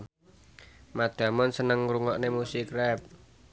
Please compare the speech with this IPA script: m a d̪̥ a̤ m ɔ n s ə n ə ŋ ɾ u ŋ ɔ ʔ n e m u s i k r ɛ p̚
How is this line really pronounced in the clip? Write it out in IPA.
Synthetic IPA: m a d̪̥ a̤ m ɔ n s ə n ə ŋ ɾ u ŋ ɔ ʔ n e m u s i k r ɛ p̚